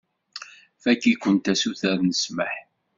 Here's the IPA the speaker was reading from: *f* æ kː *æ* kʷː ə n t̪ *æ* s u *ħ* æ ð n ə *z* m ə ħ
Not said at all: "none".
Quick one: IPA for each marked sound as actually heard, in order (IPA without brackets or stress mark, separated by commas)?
f, i, æ, θ, s